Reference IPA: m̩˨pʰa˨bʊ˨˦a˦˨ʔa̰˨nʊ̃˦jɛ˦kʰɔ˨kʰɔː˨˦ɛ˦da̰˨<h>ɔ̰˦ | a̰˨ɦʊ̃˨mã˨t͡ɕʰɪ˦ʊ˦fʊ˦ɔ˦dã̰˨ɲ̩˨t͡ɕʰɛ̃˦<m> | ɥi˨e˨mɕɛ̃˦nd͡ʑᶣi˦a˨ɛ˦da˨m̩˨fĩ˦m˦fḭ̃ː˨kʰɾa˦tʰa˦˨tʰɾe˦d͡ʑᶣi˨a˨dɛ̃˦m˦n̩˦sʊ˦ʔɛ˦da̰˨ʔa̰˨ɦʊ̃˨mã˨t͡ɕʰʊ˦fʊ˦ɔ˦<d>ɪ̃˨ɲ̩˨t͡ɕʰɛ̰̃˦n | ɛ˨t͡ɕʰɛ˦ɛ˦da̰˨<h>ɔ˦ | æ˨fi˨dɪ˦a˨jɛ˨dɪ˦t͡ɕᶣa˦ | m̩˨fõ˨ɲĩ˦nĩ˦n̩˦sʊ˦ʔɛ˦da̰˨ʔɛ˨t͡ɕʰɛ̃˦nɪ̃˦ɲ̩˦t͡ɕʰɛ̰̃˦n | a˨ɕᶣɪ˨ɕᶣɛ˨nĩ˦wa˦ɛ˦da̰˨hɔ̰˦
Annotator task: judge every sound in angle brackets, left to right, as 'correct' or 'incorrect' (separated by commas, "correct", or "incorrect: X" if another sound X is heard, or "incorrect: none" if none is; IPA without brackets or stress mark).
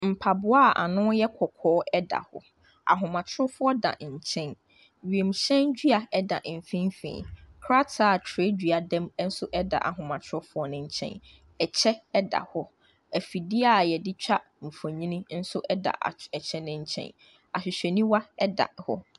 correct, incorrect: n, incorrect: n, correct